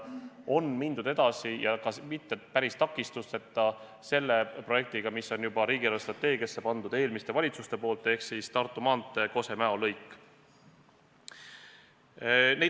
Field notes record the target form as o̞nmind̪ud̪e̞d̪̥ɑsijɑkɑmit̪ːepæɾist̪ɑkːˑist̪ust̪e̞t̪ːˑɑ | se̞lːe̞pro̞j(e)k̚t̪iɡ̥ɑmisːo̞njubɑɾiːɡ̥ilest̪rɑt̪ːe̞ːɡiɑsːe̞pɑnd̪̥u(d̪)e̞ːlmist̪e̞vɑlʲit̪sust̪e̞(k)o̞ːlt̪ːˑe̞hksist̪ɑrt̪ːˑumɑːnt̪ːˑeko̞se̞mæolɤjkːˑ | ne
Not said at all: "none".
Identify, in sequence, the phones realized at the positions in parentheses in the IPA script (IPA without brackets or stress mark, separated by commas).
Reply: e, d̪, p